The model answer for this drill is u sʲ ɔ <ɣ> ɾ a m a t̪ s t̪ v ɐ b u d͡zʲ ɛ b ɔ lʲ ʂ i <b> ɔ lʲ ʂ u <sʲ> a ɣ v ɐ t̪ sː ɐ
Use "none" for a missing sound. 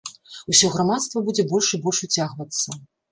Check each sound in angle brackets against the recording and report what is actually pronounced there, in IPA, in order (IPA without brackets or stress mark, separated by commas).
ɣ, b, t͡sʲ